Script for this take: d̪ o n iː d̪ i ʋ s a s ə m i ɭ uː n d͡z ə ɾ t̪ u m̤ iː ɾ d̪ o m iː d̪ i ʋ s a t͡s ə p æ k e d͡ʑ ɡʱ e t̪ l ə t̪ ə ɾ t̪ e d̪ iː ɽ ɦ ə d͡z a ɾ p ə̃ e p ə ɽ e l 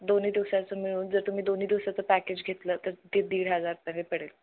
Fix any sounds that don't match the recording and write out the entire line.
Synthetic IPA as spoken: d̪ o n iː d̪ i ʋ s a t͡s ə m i ɭ uː n d͡z ə ɾ t̪ u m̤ iː d̪ o n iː d̪ i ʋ s a t͡s ə p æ k e d͡ʑ ɡʱ e t̪ l ə t̪ ə ɾ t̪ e d̪ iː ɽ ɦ ə d͡z a ɾ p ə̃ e p ə ɽ e l